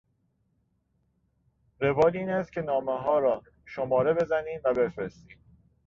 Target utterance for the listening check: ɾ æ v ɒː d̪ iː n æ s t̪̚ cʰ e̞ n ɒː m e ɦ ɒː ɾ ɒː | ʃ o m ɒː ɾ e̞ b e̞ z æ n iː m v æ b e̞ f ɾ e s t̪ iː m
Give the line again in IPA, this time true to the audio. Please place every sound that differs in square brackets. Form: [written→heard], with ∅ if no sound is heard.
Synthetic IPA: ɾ [æ→e] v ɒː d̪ iː n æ s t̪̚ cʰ e̞ n ɒː m e ɦ ɒː ɾ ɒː | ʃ o m ɒː ɾ e̞ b e̞ z æ n iː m v æ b e̞ f ɾ e s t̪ iː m